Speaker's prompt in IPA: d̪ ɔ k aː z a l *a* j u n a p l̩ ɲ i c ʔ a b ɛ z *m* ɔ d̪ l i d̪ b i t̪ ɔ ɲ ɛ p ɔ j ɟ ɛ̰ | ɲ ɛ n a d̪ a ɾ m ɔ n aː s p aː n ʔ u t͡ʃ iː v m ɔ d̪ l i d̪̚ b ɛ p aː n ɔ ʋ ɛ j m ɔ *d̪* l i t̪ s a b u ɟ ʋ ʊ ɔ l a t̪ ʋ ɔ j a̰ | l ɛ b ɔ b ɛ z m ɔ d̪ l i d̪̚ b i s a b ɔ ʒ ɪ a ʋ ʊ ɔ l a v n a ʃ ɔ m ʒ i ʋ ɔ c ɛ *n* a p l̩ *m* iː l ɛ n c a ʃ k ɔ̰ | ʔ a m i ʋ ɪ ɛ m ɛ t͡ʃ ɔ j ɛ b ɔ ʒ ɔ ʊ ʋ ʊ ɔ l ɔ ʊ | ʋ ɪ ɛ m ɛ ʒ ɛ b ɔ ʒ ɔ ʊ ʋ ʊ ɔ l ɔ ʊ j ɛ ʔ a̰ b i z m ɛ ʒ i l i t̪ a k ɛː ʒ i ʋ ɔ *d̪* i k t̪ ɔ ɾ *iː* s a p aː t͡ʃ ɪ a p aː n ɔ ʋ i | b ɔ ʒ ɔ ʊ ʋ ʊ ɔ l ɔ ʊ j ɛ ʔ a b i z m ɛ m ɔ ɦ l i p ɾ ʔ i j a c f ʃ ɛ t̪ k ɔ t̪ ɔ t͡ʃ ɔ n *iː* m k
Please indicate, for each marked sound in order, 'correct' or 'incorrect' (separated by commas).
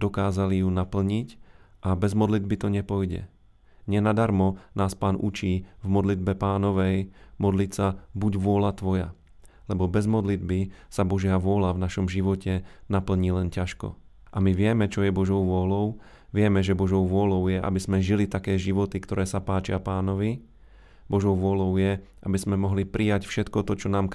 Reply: incorrect, correct, correct, correct, incorrect, incorrect, incorrect, incorrect